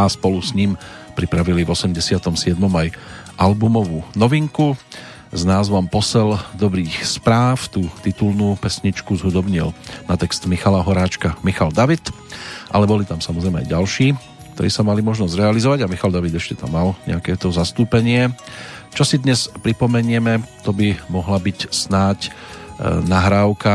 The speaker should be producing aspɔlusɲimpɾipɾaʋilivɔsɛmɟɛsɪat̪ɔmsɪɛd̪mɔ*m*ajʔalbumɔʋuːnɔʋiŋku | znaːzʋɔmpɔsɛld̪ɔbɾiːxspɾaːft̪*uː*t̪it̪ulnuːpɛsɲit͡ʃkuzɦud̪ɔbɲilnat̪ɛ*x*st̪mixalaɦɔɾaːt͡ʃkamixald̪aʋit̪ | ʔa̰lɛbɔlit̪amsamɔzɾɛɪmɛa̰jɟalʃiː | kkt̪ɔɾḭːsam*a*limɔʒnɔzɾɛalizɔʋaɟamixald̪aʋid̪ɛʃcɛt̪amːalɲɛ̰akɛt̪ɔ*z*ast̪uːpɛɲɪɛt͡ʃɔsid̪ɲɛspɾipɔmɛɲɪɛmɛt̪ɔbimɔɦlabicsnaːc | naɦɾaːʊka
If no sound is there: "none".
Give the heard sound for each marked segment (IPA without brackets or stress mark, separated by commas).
m, uː, k, a, z